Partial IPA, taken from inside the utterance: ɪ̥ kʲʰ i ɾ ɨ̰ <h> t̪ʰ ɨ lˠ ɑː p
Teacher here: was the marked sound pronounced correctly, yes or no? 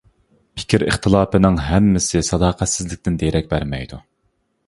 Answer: no